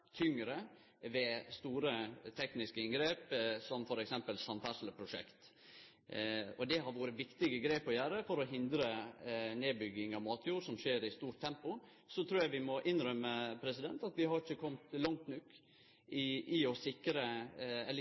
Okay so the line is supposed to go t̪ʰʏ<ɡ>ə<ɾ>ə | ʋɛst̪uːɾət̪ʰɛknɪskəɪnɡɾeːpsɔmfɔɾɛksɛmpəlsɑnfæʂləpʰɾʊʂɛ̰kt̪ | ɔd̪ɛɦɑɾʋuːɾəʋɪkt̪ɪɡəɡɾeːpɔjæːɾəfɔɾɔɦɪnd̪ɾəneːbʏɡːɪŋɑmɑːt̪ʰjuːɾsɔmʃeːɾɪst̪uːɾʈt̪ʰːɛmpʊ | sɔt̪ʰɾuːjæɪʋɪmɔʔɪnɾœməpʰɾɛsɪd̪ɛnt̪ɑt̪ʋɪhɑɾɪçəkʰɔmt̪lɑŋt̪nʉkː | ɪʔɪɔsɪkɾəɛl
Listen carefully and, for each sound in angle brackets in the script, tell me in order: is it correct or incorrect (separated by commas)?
incorrect, correct